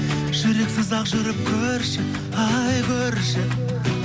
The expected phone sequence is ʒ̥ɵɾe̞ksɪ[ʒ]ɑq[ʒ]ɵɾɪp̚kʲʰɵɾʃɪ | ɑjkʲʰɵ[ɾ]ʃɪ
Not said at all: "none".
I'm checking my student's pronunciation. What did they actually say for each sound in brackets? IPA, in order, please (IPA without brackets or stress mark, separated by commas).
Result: z, ʒ, ɾ